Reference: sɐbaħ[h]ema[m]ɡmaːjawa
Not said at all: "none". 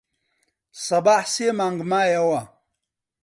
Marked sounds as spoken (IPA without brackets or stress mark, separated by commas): s, ŋ